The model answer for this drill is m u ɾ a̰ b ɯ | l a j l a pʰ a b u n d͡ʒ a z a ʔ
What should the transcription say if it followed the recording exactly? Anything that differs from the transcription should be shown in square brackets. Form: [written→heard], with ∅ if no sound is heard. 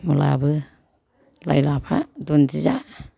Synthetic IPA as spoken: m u [ɾ→l] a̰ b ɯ | l a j l a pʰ a [b→d] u n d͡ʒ [a→i] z a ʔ